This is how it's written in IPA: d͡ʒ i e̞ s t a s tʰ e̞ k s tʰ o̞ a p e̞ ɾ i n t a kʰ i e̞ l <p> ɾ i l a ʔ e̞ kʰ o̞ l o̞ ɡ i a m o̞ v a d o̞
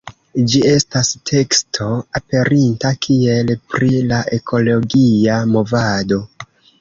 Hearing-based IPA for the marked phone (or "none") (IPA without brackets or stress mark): p